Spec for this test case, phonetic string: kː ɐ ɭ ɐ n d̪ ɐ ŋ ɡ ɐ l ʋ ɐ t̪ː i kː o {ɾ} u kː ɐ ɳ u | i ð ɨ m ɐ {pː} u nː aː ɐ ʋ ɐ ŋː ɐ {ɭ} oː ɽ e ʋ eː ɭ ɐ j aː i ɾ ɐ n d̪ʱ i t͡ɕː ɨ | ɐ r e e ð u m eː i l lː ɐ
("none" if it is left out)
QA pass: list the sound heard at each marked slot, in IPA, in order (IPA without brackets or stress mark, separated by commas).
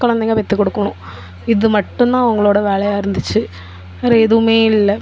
ɽ, ʈː, ɭ